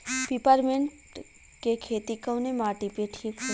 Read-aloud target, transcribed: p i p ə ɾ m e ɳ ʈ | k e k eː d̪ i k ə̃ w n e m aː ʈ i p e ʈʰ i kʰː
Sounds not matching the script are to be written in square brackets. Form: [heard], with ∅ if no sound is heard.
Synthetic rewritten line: p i p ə ɾ m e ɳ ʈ | k e [kʰ] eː [t̪] i k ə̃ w n e m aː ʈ i p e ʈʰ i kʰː